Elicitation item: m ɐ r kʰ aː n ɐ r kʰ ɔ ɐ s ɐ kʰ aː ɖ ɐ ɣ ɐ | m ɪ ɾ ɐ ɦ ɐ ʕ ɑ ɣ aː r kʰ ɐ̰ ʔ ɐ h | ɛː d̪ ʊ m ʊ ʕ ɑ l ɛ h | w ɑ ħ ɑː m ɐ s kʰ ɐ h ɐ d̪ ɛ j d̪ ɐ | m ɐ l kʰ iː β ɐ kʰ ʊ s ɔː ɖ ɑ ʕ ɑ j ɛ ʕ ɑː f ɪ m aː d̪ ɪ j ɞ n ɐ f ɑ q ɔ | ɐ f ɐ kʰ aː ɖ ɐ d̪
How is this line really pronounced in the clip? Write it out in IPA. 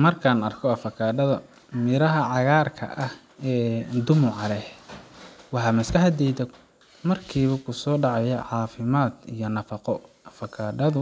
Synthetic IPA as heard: m ɐ r kʰ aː n ɐ r kʰ ɔ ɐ f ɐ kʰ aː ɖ ɐ ð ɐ | m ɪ ɾ ɐ ɦ ɐ ʕ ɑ ɣ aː r kʰ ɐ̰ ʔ ɐ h | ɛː d̪ ʊ m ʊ ʕ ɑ l ɛ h | w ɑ ħ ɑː m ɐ s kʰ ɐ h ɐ d̪ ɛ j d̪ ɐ | m ɐ r kʰ iː β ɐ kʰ ʊ s ɔː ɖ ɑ ʕ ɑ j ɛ ʕ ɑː f ɪ m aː d̪ i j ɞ n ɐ f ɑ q ɔ | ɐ f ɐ kʰ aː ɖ ɐ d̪